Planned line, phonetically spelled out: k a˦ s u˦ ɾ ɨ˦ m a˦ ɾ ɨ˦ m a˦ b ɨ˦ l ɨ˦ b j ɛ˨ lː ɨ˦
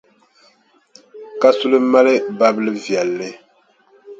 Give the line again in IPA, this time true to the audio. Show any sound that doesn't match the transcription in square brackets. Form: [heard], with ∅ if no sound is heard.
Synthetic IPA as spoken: k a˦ s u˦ [l] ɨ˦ m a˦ [l] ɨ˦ [b] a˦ b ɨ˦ l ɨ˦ [v] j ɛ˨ lː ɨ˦